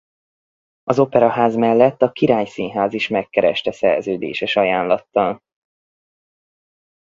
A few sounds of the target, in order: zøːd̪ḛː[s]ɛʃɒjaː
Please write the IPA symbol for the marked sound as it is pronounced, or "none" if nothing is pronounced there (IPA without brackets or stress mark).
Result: ʃ